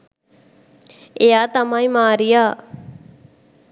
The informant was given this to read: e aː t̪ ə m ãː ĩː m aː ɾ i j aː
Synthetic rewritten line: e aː t̪ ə m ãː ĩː m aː ɾ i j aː